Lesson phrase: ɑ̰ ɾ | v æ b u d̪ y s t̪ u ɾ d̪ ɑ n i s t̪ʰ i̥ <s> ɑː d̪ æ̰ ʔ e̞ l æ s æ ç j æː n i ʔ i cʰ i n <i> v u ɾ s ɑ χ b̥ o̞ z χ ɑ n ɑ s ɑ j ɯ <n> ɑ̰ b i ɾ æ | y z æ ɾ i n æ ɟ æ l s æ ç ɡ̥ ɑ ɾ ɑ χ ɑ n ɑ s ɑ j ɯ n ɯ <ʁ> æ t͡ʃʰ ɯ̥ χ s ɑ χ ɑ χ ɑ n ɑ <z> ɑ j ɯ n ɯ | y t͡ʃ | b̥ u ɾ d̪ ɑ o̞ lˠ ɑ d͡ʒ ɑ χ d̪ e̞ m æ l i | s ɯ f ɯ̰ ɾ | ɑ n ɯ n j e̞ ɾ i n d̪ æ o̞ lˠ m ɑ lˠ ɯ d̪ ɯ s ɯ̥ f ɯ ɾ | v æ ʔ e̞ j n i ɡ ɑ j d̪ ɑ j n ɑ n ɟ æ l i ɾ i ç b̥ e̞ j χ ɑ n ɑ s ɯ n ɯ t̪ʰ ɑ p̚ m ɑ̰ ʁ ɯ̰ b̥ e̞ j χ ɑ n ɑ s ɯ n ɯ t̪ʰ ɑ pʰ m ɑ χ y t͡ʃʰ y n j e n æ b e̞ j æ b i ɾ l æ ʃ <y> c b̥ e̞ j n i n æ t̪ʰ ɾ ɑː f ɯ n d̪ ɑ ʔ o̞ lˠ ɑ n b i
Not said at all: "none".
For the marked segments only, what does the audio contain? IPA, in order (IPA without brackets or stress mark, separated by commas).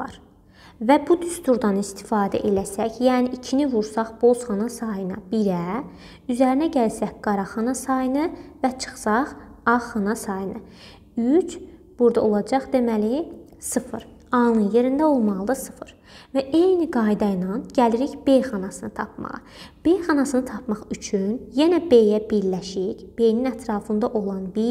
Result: f, i, n, v, s, i